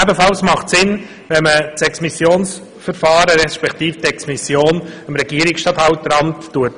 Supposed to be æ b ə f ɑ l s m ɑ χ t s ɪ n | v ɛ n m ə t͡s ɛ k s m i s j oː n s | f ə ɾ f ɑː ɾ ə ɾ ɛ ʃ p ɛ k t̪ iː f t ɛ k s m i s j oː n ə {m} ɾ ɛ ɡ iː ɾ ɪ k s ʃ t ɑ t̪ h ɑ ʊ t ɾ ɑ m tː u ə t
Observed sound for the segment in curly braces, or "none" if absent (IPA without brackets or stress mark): m